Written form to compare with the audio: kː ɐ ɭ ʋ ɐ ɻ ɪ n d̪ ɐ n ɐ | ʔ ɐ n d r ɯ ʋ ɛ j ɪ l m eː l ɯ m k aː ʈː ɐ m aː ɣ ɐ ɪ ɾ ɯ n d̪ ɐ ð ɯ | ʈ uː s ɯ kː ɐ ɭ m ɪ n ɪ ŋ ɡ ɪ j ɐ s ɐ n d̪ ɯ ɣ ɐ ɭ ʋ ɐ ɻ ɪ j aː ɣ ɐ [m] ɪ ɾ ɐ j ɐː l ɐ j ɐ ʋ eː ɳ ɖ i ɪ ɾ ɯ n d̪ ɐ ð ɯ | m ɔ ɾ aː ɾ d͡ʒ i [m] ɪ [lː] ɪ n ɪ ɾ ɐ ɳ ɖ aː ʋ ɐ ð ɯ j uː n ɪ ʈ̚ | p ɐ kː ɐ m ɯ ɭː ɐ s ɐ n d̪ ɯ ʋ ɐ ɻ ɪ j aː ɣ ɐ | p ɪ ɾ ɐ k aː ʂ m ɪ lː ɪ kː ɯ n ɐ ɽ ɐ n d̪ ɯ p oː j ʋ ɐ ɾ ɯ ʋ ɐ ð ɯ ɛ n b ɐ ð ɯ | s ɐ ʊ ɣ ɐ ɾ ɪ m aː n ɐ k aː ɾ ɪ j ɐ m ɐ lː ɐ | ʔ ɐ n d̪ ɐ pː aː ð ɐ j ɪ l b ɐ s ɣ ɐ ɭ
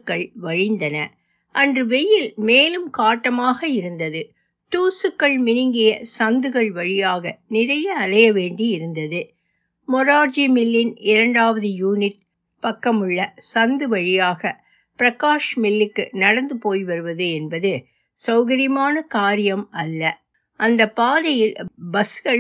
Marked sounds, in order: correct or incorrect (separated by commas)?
incorrect, correct, correct